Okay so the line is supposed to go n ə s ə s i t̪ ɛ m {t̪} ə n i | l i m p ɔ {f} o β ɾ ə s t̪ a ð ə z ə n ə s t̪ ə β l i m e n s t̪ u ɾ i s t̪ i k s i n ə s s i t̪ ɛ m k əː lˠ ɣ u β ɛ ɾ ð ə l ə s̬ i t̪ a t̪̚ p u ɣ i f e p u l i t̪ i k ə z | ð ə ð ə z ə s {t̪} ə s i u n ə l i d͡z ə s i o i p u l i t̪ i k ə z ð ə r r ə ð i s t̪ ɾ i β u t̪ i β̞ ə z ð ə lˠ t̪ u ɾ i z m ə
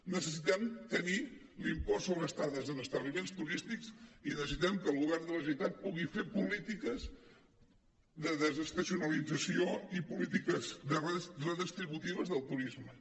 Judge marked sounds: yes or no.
yes, no, yes

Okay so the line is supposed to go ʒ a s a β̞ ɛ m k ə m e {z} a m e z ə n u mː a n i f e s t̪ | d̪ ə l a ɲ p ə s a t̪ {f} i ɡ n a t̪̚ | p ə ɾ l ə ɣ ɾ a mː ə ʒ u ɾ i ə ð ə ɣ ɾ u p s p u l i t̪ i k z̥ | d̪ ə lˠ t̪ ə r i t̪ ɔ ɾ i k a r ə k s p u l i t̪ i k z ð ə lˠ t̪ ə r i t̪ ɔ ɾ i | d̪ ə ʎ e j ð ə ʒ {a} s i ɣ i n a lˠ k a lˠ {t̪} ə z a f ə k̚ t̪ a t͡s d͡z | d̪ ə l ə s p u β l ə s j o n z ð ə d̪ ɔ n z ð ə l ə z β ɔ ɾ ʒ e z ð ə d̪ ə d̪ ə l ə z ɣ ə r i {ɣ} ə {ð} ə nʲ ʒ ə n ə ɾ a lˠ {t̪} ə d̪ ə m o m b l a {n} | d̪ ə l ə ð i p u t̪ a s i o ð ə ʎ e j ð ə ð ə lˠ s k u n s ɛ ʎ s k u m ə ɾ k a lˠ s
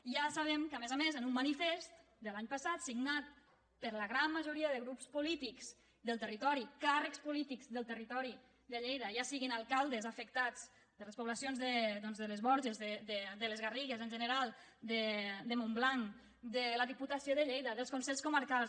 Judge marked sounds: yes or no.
yes, no, yes, no, yes, no, no, no

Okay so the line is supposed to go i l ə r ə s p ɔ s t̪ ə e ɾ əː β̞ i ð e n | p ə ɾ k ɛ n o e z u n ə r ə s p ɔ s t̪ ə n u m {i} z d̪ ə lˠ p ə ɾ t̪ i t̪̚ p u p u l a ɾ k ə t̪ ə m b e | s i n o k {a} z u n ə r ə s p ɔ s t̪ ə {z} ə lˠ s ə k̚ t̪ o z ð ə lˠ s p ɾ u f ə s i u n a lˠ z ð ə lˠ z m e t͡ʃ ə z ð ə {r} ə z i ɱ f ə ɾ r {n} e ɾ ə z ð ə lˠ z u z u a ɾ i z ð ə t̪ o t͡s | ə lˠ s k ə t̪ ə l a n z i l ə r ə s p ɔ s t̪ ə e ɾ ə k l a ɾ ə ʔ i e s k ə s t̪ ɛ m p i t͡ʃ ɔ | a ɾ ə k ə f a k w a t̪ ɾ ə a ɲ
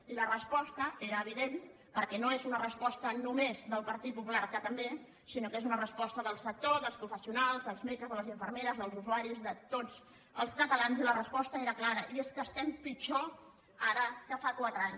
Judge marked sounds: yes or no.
no, no, no, no, no

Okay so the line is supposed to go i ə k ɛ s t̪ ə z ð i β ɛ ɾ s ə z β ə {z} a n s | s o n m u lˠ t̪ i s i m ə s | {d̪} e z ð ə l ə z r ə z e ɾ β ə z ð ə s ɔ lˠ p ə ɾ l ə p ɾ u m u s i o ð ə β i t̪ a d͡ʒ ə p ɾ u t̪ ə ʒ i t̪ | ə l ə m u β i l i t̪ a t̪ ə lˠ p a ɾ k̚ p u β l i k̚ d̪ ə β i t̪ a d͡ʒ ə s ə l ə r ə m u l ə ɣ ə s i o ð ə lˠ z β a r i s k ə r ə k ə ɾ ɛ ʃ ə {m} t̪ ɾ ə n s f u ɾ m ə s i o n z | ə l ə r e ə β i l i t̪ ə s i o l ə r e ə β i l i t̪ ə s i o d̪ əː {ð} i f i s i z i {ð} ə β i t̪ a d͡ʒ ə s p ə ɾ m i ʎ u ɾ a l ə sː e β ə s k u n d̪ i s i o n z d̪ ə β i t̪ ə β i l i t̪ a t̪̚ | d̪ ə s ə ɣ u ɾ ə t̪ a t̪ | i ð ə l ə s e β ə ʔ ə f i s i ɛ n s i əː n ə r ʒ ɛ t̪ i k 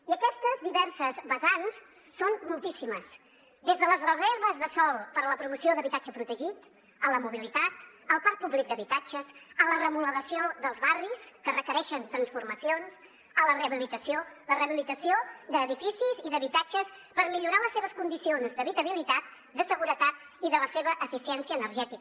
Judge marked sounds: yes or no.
yes, yes, no, yes, yes

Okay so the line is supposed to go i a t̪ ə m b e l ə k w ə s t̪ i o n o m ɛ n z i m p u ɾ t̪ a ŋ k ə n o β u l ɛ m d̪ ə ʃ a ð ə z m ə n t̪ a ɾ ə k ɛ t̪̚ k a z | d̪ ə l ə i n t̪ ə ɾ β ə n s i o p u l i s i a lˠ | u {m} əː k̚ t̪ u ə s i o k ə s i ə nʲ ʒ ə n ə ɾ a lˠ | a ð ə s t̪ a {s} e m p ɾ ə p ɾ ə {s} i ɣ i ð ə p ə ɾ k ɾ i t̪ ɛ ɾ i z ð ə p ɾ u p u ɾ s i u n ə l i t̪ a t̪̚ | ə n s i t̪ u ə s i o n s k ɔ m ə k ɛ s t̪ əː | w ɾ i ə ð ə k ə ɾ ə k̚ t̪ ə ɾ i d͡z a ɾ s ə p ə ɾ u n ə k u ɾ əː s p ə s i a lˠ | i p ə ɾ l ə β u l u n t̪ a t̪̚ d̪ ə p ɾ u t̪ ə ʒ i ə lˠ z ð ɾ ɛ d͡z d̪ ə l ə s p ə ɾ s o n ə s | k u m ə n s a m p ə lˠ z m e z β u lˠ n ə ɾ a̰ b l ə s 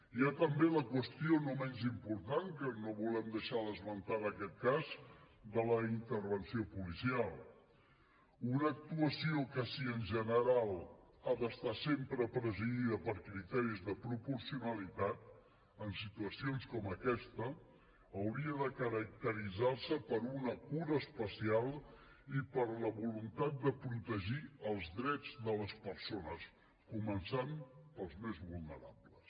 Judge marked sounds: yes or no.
no, yes, no

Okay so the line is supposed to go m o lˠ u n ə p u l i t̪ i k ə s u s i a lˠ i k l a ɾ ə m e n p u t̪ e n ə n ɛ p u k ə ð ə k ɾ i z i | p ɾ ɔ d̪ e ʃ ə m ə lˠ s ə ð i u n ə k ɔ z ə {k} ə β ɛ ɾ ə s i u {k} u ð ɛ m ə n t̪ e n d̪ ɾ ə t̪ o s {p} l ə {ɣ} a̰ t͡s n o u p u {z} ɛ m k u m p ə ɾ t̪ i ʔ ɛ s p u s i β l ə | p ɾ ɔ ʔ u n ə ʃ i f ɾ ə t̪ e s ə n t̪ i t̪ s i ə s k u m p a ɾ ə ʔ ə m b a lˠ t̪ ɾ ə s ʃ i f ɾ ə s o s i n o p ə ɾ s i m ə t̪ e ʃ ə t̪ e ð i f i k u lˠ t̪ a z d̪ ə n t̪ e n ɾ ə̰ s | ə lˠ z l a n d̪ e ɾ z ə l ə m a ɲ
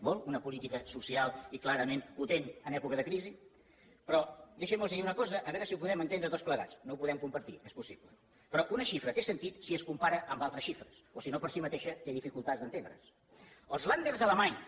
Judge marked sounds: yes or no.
no, no, yes, yes, no

